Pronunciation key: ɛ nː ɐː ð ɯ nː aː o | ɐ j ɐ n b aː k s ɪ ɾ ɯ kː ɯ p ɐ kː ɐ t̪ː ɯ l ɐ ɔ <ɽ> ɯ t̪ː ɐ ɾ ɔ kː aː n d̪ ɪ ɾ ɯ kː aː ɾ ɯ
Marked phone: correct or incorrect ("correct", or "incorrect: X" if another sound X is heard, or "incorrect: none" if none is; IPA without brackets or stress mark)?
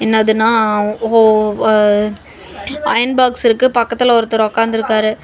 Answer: incorrect: ɾ